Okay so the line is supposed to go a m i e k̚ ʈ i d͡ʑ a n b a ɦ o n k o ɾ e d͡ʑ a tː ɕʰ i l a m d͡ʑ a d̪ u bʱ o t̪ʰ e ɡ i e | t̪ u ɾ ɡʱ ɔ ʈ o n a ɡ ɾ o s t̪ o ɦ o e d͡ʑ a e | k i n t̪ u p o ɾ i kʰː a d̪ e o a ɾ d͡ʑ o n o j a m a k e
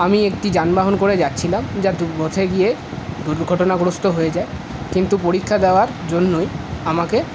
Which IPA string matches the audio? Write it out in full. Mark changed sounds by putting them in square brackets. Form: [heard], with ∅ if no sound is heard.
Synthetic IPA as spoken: a m i e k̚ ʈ i d͡ʑ a n b a ɦ o n k o ɾ e d͡ʑ a tː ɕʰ i l a m d͡ʑ a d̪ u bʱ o t̪ʰ e ɡ i e | [d̪] u ɾ ɡʱ ɔ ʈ o n a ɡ ɾ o s t̪ o ɦ o e d͡ʑ a e | k i n t̪ u p o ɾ i kʰː a d̪ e o a ɾ d͡ʑ o [nː] o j a m a k e